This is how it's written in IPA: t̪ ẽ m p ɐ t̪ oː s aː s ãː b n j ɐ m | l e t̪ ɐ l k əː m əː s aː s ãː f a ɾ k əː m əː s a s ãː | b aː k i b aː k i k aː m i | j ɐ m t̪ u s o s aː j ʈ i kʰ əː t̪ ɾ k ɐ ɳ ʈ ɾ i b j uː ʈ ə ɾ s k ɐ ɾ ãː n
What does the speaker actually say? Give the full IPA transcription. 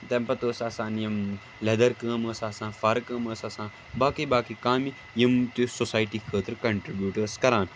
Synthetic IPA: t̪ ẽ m p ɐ t̪ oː s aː s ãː n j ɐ m | l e d̪ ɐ ɾ k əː m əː s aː s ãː f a ɾ k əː m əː s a s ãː | b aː k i b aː k i k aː m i | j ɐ m t̪ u s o s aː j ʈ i kʰ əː t̪ ɾ k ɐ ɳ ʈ ɾ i b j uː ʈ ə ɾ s k ɐ ɾ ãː n

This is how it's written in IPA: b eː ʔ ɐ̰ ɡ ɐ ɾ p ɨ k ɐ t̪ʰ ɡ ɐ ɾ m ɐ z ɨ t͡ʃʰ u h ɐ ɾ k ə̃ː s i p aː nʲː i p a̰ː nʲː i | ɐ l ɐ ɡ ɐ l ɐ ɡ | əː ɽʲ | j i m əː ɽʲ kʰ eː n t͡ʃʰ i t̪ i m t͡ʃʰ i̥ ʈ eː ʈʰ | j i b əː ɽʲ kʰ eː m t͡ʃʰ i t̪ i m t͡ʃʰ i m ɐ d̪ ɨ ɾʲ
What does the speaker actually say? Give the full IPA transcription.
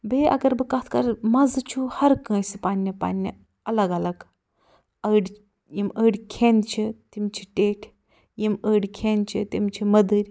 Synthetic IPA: b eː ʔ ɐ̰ ɡ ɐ ɾ b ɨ k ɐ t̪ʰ k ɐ ɾ m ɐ z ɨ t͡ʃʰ u h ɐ ɾ k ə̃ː s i p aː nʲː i p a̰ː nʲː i | ɐ l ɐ ɡ ɐ l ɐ ɡ | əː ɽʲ | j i m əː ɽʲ kʰ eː n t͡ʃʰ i t̪ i m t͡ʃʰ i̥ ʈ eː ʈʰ | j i m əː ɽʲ kʰ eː n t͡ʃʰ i t̪ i m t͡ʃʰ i m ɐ d̪ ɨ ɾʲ

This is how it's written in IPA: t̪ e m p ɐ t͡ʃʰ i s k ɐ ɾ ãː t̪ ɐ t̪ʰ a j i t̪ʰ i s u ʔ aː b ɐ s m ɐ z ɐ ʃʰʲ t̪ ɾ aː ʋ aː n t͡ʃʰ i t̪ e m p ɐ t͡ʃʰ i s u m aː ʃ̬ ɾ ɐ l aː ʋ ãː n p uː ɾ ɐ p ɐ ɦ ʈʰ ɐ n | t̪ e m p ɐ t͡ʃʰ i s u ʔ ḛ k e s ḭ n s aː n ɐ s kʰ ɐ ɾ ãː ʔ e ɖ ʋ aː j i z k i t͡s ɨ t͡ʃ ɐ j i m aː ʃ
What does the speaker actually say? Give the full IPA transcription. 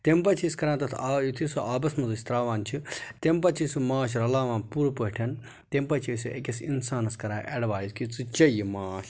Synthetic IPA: t̪ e m p ɐ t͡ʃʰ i s k ɐ ɾ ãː t̪ ɐ t̪ʰ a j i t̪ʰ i s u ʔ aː b ɐ s m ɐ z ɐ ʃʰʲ t̪ ɾ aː ʋ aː n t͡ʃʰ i t̪ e m p ɐ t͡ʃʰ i s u m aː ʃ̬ ɾ ɐ l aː ʋ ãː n p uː ɾ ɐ p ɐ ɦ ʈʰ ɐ n | t̪ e m p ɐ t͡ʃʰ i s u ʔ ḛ k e s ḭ n s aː n ɐ s k ɐ ɾ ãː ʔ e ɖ ʋ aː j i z k i t͡s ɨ t͡ʃ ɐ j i m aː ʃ

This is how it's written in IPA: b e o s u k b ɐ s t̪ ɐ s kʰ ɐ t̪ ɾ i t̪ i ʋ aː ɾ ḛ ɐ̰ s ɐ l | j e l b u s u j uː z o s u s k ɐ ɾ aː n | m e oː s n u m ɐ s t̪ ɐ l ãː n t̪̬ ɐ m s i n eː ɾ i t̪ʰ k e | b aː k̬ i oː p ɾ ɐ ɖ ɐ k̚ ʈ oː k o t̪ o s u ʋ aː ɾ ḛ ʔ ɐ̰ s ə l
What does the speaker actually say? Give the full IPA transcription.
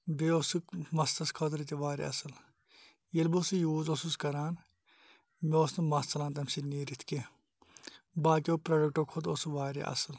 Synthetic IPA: b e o s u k m ɐ s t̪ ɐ s kʰ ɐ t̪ ɾ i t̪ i ʋ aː ɾ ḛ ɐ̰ s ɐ l | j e l b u s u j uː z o s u s k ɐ ɾ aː n | m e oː s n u m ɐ s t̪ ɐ l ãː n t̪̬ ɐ m s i n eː ɾ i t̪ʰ k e | b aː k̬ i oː p ɾ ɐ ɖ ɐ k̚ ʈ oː kʰ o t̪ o s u ʋ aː ɾ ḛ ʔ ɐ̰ s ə l

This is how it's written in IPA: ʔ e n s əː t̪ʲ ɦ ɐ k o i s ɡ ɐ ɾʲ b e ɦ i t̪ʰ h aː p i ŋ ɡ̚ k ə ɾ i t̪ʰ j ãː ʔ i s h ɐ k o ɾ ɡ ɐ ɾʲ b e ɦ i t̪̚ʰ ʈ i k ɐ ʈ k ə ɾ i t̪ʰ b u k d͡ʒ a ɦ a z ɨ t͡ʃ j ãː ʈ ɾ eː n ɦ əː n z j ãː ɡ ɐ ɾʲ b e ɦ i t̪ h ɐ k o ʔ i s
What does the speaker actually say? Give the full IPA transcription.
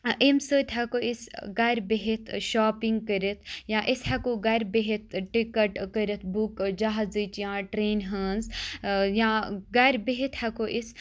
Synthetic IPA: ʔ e m s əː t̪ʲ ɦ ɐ k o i s ɡ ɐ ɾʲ b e ɦ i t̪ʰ ʃ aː p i ŋ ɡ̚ k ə ɾ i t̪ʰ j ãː ʔ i s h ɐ k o ɡ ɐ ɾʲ b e ɦ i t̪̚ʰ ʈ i k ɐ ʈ k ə ɾ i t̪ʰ b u k d͡ʒ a ɦ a z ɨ t͡ʃ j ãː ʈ ɾ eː n ɦ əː n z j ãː ɡ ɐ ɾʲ b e ɦ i t̪ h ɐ k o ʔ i s

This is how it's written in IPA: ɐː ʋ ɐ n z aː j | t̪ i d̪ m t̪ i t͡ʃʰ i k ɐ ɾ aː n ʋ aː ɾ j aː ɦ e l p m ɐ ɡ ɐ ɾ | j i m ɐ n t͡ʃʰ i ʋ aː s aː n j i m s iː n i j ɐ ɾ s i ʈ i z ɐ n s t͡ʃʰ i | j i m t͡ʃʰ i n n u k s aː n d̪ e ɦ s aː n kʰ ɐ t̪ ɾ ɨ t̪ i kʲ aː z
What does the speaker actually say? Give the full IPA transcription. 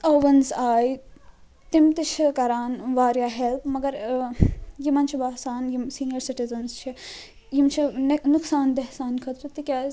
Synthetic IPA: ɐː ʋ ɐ n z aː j | t̪ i m t̪ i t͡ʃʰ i k ɐ ɾ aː n ʋ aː ɾ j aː ɦ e l p m ɐ ɡ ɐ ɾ | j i m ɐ n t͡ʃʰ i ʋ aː s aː n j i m s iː n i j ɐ ɾ s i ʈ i z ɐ n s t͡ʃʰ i | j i m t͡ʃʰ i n n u k s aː n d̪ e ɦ s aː n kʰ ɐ t̪ ɾ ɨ t̪ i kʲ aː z

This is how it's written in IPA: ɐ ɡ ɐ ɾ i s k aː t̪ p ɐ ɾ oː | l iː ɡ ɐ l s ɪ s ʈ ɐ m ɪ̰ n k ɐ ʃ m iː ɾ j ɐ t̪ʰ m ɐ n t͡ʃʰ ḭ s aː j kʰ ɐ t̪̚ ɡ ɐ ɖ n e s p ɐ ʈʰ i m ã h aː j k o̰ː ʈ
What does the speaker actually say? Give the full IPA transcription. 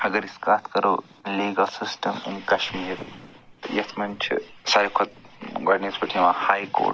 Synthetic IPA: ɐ ɡ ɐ ɾ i s k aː t̪ k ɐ ɾ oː | l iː ɡ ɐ l s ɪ s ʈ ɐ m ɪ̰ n k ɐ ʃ m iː ɾ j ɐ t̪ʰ m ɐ n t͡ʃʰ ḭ s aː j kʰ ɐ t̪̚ ɡ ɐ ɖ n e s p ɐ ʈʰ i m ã h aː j k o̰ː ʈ

